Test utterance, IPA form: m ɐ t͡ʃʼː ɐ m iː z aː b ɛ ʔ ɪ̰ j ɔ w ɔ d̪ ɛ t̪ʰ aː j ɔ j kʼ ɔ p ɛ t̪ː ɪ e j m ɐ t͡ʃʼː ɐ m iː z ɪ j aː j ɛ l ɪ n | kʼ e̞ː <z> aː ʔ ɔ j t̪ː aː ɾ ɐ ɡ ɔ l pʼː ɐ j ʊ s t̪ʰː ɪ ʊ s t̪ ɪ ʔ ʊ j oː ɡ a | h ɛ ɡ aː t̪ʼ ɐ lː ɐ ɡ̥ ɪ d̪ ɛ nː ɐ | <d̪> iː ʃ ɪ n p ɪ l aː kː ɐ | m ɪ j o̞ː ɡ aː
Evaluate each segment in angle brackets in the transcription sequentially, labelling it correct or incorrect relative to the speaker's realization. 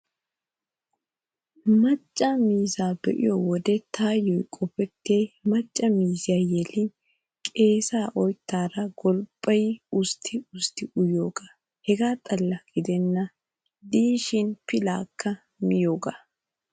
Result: incorrect: s, correct

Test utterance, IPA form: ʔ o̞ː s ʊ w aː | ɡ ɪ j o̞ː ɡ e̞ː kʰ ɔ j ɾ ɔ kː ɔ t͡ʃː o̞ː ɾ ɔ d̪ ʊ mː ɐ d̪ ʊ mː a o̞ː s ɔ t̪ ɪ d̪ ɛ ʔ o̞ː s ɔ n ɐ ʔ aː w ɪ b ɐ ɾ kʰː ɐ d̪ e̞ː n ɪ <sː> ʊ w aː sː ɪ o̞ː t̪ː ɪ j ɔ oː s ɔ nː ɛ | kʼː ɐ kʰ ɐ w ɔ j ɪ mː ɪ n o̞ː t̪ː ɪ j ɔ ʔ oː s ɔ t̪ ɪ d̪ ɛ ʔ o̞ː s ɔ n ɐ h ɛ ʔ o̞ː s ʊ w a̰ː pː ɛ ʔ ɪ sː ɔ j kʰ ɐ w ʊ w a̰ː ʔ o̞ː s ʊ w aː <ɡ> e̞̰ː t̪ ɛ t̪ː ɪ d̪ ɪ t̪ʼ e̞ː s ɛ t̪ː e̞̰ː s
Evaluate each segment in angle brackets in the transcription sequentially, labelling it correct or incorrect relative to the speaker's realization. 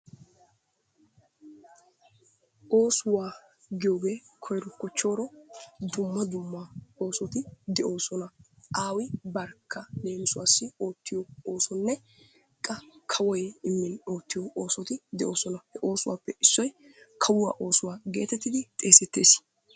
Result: incorrect: s, correct

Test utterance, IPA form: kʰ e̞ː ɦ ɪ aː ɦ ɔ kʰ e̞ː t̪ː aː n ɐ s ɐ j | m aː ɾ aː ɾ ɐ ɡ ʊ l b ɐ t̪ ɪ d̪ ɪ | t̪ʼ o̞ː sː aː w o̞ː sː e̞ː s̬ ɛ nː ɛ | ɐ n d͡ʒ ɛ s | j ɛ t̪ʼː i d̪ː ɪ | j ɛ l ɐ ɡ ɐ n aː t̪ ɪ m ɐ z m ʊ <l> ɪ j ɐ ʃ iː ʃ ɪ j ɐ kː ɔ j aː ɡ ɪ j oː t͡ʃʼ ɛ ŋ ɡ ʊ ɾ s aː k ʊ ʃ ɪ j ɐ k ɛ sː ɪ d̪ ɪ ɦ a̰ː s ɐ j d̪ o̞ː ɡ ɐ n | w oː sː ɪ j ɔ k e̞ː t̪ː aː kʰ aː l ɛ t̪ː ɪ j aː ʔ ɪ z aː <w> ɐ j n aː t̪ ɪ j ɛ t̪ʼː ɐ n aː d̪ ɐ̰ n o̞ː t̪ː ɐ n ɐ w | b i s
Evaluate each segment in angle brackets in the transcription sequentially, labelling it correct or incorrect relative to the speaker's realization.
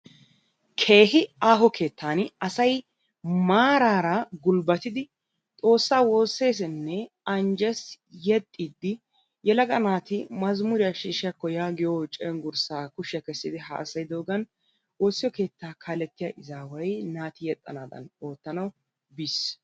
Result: incorrect: ɾ, correct

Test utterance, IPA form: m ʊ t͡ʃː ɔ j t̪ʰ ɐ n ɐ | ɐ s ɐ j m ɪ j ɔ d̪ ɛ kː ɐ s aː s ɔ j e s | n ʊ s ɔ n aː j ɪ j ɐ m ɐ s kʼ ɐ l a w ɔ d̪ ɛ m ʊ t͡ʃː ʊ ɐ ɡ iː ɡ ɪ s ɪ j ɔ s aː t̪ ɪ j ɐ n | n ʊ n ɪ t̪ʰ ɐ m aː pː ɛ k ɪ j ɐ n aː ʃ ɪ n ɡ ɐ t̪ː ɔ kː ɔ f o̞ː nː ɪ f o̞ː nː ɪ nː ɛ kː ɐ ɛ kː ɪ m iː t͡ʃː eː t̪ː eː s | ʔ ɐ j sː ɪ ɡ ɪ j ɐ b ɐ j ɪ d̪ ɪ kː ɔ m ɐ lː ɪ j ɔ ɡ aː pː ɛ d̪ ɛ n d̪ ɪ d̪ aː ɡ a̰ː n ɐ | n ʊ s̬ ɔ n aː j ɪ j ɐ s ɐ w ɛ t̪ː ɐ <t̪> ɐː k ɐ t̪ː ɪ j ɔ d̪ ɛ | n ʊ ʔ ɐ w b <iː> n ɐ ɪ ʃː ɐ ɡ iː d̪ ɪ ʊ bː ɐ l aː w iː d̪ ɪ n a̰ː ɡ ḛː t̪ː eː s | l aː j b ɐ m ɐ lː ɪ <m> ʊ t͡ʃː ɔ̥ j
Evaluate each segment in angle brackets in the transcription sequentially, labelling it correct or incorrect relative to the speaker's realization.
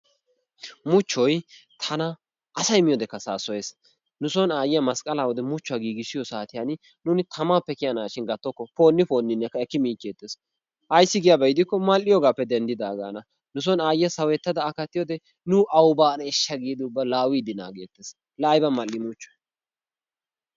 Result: incorrect: d̪, incorrect: aː, correct

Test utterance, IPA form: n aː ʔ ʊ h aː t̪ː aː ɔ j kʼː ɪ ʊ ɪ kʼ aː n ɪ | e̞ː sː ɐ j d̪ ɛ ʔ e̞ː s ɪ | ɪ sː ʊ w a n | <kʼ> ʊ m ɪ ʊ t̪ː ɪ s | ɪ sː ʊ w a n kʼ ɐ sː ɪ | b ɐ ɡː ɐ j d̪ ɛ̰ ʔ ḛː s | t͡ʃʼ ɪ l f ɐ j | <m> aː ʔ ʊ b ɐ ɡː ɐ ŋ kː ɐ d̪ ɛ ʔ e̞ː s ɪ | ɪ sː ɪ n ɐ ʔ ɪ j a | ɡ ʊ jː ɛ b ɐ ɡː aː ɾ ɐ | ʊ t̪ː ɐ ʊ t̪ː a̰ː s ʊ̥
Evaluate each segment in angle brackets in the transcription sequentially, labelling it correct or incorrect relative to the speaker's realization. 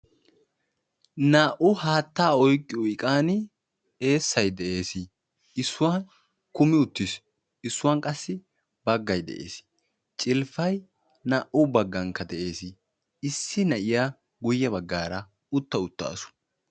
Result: incorrect: k, incorrect: n

